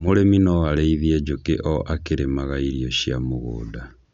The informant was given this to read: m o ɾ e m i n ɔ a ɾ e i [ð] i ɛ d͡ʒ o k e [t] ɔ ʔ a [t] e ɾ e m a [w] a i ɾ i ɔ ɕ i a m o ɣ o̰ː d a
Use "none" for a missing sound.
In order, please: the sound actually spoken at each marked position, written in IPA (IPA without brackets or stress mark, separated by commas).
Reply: ð, ʔ, k, ɣ